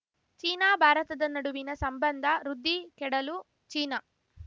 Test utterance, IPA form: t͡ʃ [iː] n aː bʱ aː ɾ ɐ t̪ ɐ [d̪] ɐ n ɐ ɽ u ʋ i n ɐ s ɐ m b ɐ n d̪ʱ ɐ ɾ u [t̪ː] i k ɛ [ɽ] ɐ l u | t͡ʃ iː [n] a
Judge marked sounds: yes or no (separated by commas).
yes, yes, no, yes, yes